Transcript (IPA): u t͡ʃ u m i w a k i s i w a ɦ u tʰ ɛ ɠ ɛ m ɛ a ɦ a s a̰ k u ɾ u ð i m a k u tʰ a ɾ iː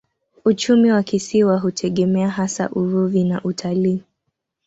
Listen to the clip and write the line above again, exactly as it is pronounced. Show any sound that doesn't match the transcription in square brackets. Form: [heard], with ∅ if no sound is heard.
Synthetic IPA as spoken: u t͡ʃ u m i w a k i s i w a ɦ u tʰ ɛ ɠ ɛ m ɛ a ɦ a s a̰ [ʔ] u ɾ u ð i [n] a [ʔ] u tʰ a [l] iː